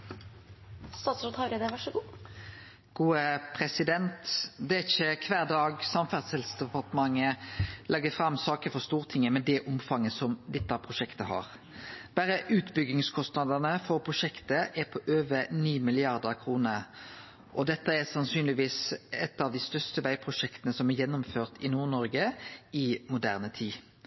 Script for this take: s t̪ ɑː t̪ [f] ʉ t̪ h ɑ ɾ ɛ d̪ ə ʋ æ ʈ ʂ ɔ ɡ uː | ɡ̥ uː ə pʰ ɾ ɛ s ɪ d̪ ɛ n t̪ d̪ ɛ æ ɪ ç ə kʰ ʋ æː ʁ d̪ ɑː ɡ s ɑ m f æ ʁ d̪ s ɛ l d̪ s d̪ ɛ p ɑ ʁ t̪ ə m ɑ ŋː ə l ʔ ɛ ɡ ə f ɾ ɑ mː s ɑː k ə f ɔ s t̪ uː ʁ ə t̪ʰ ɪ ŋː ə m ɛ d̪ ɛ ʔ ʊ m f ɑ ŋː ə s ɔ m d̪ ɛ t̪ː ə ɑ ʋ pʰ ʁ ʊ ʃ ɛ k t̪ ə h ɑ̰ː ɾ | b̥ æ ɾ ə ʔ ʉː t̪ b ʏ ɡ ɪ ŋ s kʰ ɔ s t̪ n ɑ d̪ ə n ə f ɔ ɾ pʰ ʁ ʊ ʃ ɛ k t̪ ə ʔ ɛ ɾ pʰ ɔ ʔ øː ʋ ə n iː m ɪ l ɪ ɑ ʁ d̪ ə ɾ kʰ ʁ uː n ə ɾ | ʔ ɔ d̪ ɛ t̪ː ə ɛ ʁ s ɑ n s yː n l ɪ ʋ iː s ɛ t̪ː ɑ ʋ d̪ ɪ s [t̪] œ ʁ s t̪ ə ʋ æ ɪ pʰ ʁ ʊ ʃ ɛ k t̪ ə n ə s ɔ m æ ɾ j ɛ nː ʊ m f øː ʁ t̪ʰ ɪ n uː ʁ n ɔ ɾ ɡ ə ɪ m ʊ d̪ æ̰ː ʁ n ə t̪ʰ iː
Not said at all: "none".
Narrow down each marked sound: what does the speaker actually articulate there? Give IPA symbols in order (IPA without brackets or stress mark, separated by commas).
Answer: s, t̪